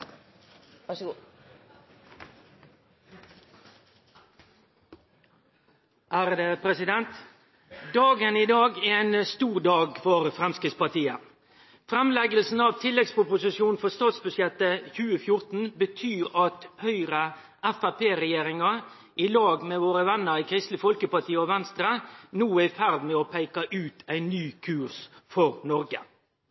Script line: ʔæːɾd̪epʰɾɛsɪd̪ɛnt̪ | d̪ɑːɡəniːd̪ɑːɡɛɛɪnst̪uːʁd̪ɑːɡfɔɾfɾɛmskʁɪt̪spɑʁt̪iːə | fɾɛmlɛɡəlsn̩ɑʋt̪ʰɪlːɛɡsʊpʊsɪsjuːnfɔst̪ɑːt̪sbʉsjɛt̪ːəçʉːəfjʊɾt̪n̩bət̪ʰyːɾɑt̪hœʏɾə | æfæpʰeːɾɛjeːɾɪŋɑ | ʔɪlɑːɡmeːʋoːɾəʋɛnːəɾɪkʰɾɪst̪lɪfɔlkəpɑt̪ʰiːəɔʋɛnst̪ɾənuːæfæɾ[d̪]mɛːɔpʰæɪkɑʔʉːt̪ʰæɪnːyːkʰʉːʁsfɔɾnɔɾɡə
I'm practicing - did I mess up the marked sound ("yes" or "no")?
no